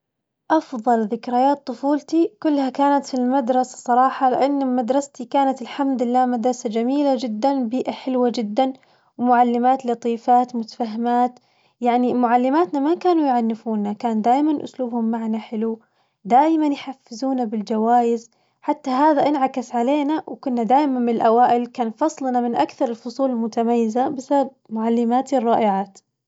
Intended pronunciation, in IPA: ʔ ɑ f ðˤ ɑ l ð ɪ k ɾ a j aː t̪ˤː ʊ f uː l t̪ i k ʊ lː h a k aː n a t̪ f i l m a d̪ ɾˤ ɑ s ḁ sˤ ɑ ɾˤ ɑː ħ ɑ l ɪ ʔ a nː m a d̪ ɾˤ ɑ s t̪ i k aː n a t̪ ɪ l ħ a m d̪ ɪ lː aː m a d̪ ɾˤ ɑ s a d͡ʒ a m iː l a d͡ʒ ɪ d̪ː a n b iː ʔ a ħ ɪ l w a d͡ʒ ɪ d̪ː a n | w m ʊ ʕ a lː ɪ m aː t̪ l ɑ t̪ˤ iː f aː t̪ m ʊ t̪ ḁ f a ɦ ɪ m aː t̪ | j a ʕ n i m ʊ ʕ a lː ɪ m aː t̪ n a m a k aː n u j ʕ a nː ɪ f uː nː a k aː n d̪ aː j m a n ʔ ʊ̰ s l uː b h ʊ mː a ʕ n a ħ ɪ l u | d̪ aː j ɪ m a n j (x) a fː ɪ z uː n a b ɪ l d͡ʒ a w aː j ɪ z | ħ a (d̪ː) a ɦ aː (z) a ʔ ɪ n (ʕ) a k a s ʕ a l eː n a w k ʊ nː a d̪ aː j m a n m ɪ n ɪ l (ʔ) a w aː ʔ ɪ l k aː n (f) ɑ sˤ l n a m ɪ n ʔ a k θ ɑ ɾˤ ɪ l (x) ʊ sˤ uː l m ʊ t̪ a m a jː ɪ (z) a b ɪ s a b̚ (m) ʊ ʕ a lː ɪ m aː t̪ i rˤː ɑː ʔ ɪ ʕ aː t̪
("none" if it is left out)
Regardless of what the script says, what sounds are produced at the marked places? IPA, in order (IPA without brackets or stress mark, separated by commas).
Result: ħ, t̪ː, ð, ʕ, ʔ, f, f, z, m